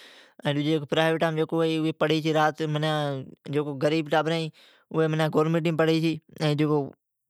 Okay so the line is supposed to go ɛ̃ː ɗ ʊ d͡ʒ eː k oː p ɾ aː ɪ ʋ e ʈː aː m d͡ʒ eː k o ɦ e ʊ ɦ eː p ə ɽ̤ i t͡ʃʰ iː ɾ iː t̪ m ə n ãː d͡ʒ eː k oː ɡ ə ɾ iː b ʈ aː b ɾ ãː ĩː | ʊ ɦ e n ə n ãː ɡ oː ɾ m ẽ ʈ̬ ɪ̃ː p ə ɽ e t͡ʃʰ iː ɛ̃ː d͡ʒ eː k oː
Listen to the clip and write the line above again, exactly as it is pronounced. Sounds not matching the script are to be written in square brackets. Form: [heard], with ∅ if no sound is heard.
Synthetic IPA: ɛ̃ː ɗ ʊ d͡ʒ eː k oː p ɾ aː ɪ ʋ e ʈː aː m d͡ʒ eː k o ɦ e ʊ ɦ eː p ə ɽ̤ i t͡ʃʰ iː ɾ [aː] t̪ m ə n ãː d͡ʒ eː k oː ɡ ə ɾ iː b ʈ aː b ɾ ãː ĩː | ʊ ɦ e [m] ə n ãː ɡ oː ɾ m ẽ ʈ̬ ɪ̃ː p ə ɽ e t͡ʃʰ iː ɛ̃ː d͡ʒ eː k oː